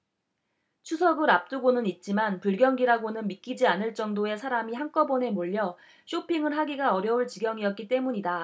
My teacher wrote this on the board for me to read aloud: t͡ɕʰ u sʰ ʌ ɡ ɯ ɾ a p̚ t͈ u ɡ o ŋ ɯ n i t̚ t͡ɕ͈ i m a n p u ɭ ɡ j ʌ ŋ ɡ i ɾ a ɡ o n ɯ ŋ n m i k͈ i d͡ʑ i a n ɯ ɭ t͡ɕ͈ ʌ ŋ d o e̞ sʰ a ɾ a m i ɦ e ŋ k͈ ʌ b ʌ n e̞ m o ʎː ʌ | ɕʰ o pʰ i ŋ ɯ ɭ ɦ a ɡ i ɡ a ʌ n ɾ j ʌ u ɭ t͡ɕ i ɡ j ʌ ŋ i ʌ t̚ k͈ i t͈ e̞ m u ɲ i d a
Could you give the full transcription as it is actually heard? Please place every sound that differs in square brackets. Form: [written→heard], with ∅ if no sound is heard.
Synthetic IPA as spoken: t͡ɕʰ u sʰ ʌ ɡ ɯ ɾ a p̚ t͈ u ɡ o [ŋ→n] ɯ n i t̚ t͡ɕ͈ i m a n p u ɭ ɡ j ʌ ŋ ɡ i ɾ a ɡ o n ɯ [ŋ→∅] n m i k͈ i d͡ʑ i a n ɯ ɭ t͡ɕ͈ ʌ ŋ d o e̞ sʰ a ɾ a m i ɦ [e→a] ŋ k͈ ʌ b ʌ n e̞ m o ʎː ʌ | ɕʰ o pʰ i ŋ ɯ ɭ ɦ a ɡ i ɡ a ʌ [n→∅] ɾ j ʌ u ɭ t͡ɕ i ɡ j ʌ ŋ i ʌ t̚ k͈ i t͈ e̞ m u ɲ i d a